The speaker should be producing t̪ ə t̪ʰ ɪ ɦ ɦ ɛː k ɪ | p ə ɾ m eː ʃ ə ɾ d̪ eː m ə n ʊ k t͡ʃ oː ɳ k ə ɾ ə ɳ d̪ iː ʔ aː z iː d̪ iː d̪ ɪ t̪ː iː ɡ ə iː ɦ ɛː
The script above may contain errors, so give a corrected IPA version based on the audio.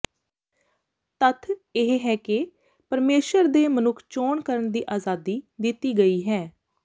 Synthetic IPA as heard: t̪ ə t̪ʰ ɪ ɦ ɦ ɛː k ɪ | p ə ɾ m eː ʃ ə ɾ d̪ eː m ə n ʊ kʰ t͡ʃ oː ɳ k ə ɾ ə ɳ d̪ iː ʔ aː z aː d̪ iː d̪ ɪ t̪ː iː ɡ ə iː ɦ ɛː